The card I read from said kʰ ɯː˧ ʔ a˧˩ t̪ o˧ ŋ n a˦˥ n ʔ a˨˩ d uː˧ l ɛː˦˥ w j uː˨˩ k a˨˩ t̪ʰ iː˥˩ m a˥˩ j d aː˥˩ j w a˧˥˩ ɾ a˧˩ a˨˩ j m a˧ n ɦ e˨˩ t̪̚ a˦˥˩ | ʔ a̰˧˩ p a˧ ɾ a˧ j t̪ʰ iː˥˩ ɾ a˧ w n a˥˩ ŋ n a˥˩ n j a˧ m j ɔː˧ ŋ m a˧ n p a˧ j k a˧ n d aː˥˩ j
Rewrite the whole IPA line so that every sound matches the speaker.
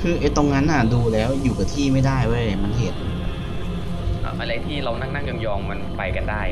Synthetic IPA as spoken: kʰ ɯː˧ ʔ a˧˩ t̪ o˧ ŋ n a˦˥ n ʔ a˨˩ d uː˧ l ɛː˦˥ w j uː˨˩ k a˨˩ t̪ʰ iː˥˩ m a˥˩ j d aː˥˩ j w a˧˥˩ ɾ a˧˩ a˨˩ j m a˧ n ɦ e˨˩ t̪̚ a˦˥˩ | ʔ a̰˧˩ ʔ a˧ ɾ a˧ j t̪ʰ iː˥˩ ɾ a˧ w n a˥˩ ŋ n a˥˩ ŋ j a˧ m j ɔː˧ ŋ m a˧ n p a˧ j k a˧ n d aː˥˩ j